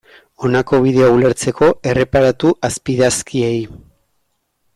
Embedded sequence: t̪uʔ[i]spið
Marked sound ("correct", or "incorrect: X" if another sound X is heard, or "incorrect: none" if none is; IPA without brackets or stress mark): incorrect: a